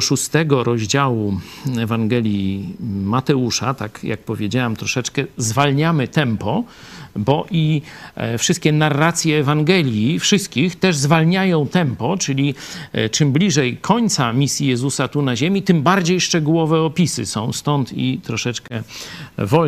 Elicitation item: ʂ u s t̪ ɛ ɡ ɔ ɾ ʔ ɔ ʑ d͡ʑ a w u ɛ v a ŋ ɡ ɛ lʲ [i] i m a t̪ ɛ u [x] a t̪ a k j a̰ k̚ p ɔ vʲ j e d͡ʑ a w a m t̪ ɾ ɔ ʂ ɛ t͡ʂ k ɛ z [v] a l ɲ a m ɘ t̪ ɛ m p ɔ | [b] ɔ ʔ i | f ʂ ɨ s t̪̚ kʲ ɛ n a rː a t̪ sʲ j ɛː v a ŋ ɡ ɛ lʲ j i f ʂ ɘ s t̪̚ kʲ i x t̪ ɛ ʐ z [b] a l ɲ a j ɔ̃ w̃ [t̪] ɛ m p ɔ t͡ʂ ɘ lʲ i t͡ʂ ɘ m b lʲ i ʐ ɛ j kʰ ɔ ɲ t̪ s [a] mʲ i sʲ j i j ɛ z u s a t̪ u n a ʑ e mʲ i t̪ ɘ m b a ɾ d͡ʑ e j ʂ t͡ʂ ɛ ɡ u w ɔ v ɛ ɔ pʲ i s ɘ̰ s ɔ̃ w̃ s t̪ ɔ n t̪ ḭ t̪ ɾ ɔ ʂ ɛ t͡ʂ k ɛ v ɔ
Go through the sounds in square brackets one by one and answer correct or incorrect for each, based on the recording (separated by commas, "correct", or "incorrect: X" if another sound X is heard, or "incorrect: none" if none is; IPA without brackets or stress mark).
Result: incorrect: j, incorrect: ʂ, correct, correct, incorrect: v, correct, correct